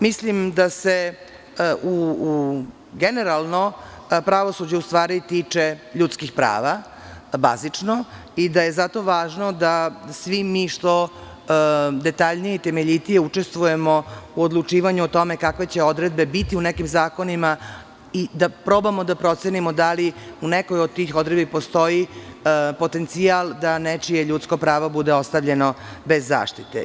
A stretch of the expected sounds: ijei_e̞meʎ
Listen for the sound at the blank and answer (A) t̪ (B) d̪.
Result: A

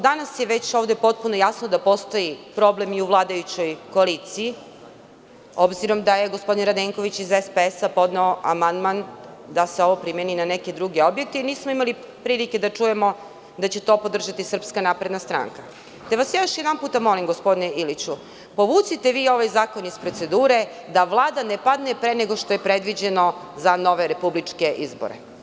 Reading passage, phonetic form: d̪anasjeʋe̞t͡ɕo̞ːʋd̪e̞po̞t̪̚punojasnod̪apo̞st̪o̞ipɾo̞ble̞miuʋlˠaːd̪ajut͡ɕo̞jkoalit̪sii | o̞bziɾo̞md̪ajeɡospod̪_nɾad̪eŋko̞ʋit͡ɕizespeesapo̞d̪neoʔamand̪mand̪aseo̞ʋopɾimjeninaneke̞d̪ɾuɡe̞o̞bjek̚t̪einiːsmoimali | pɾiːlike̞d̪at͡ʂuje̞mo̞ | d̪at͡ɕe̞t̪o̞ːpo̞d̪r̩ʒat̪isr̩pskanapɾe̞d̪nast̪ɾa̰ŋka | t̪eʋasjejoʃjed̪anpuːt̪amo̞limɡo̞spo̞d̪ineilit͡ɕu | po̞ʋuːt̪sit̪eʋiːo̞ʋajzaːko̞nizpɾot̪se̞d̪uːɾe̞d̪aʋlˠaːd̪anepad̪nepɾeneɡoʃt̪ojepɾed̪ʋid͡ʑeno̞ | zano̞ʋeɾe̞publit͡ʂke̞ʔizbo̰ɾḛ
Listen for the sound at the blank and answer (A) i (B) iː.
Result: A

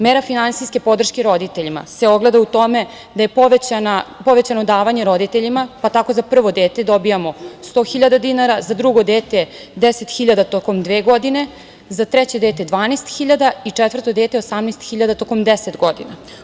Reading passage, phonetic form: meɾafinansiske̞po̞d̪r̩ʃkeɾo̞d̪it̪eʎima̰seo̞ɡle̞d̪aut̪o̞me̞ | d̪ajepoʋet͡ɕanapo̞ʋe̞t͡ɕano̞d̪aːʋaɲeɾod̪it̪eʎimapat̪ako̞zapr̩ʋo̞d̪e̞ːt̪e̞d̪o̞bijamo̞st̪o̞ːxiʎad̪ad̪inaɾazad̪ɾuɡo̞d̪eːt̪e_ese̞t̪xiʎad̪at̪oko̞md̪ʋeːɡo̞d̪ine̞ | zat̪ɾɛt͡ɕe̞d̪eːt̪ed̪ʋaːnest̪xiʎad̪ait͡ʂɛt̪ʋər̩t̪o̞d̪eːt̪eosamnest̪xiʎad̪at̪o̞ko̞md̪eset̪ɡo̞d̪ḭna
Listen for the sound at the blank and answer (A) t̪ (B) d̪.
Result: B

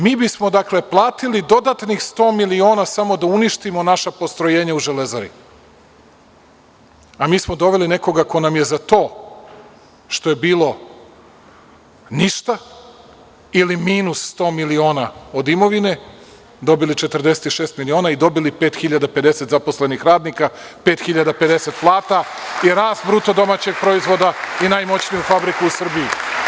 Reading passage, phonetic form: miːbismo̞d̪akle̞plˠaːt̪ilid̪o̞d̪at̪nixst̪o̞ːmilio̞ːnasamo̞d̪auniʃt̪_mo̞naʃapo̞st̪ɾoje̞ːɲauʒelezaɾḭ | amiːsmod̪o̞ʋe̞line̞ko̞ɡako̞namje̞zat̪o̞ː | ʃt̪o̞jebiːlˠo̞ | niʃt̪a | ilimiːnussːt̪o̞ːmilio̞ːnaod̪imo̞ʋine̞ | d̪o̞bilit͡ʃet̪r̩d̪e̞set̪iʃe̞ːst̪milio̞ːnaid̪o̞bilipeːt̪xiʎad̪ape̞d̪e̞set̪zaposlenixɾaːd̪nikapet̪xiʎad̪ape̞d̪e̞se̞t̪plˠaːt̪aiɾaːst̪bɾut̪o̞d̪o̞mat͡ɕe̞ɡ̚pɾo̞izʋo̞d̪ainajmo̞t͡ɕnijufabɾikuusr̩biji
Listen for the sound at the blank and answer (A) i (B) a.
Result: A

